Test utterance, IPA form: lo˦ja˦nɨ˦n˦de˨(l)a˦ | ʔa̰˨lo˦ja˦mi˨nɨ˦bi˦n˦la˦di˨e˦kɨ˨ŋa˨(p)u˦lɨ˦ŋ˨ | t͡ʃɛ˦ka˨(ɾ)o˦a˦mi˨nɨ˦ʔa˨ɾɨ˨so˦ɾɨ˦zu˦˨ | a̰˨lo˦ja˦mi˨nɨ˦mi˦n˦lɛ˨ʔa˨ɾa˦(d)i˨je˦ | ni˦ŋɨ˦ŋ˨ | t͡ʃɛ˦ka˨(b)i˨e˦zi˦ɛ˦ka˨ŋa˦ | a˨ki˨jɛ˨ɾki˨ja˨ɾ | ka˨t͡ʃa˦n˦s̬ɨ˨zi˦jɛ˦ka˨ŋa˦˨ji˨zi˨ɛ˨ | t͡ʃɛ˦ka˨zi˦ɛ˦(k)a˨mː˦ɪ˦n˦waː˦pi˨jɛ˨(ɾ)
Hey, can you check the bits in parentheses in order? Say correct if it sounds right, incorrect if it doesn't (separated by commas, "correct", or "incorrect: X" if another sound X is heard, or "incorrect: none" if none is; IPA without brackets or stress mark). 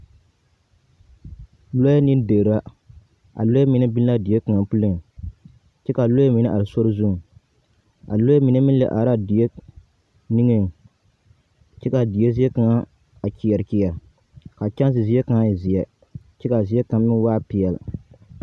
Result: incorrect: ɾ, correct, incorrect: l, correct, incorrect: d, correct, incorrect: l